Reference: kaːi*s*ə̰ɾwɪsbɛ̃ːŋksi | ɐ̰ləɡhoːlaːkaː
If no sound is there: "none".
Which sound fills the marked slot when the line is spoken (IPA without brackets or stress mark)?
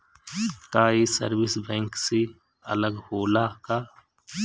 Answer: s